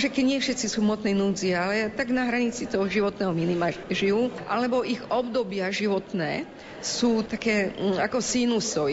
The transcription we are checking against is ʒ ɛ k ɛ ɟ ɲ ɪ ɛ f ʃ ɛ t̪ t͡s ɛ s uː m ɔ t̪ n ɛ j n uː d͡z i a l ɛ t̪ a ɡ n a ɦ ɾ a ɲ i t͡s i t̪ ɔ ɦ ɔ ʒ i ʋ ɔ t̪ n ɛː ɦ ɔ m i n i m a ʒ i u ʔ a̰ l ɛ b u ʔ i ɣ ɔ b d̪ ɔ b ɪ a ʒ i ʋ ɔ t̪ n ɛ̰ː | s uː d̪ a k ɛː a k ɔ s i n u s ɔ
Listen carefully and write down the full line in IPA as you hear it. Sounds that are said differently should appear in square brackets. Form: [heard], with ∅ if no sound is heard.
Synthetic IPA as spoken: ʒ ɛ k ɛ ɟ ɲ ɪ ɛ f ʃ ɛ t̪ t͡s [i] s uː m ɔ t̪ n ɛ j n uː d͡z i a l ɛ t̪ a ɡ n a ɦ ɾ a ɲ i t͡s i t̪ ɔ ɦ ɔ ʒ i ʋ ɔ t̪ n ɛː ɦ ɔ m i n i m a ʒ i u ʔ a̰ l ɛ b [ɔ] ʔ i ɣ ɔ b d̪ ɔ b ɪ a ʒ i ʋ ɔ t̪ n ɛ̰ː | s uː [t̪] a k ɛː a k ɔ s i n u s ɔ